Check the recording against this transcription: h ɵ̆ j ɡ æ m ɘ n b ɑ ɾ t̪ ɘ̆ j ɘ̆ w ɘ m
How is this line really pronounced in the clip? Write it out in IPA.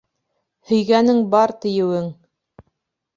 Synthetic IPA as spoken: h ɵ̆ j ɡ æ n ɘ ŋ b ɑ ɾ t̪ ɘ̆ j ɘ̆ w ɘ ŋ